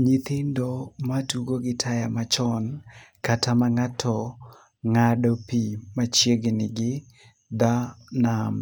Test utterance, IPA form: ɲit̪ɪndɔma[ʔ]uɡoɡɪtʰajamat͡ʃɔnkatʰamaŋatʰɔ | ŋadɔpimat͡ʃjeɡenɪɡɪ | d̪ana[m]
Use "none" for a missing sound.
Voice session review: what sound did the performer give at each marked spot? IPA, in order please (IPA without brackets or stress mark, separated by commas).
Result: t, m